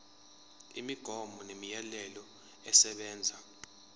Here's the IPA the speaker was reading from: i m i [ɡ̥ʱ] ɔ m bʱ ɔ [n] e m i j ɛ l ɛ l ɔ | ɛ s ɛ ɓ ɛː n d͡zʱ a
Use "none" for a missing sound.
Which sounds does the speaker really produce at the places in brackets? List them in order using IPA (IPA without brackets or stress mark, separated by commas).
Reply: ɡ̥ʱ, n